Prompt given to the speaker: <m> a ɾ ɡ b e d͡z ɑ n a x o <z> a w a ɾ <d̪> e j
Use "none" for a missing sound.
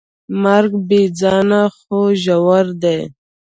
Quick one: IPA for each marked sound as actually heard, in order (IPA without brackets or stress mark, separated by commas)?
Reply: m, ʒ, d̪